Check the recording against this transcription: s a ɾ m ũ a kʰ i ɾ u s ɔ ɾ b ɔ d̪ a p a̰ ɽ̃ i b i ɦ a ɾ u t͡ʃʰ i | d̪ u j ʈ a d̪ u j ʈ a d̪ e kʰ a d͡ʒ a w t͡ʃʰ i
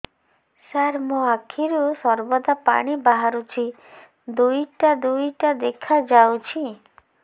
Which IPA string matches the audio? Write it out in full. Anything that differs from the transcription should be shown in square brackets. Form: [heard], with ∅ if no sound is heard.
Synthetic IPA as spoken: s a ɾ m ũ a kʰ i ɾ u s ɔ ɾ b ɔ d̪ a p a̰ ɽ̃ i b [a] ɦ a ɾ u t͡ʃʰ i | d̪ u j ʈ a d̪ u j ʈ a d̪ e kʰ a d͡ʒ a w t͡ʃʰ i